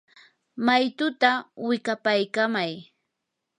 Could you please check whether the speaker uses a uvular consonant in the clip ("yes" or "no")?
no